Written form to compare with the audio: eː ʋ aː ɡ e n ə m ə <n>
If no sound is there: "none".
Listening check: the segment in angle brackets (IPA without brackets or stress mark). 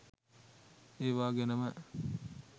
none